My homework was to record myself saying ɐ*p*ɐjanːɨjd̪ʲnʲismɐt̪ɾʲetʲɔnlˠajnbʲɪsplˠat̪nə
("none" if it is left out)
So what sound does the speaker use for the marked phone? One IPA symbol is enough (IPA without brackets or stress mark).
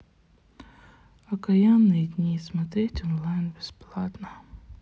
k